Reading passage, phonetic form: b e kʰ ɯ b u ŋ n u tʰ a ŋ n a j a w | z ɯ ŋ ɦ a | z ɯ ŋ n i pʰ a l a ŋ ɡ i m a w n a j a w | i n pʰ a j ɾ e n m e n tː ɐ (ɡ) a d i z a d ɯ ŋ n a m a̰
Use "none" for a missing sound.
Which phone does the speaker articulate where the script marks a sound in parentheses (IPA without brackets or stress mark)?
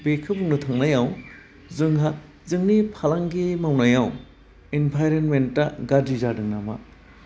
ɡ